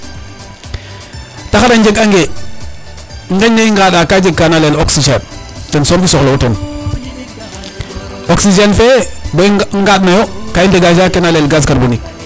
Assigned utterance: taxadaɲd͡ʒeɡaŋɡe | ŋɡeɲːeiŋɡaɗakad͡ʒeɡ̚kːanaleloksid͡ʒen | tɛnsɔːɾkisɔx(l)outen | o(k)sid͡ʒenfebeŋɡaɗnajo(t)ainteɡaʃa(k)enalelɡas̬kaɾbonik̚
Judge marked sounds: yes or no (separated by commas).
yes, yes, no, yes